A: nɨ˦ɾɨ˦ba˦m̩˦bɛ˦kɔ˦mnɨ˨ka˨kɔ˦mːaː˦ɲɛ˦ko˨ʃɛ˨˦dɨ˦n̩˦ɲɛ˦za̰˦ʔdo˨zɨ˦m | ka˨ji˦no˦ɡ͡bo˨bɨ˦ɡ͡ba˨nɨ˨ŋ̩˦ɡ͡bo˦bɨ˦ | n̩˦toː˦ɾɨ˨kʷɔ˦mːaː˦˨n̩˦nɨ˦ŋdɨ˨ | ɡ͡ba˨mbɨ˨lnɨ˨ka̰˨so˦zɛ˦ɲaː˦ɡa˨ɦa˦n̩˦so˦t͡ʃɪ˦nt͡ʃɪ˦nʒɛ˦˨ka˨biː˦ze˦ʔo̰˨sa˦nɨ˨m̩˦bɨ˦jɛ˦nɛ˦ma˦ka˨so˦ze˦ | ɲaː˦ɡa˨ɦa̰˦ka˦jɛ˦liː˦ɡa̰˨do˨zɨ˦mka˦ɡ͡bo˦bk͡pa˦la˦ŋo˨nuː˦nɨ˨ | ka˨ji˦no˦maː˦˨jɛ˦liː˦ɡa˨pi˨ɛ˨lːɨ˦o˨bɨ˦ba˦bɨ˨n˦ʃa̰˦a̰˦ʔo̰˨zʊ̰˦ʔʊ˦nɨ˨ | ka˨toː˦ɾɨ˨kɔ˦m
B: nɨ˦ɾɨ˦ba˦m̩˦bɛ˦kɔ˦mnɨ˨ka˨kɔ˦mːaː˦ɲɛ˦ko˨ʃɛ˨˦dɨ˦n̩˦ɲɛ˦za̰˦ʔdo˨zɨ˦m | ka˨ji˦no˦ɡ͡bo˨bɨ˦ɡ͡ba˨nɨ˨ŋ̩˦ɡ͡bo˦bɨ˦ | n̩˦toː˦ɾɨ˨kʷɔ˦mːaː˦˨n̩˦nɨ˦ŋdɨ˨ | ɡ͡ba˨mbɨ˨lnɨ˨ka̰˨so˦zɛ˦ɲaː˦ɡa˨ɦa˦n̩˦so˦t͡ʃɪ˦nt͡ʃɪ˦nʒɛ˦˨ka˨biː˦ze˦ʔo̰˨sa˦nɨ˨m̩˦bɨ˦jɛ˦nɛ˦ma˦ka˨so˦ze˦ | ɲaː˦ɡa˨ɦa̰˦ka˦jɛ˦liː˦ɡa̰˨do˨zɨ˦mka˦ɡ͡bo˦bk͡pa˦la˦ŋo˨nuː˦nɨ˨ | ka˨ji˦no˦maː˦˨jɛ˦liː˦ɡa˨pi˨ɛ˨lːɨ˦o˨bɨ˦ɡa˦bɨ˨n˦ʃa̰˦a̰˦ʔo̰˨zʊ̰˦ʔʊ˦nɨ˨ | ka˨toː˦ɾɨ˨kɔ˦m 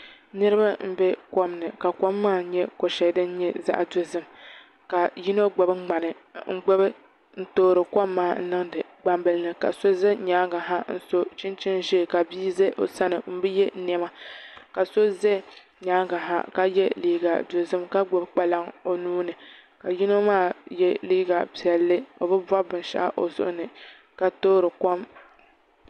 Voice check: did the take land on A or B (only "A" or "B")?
A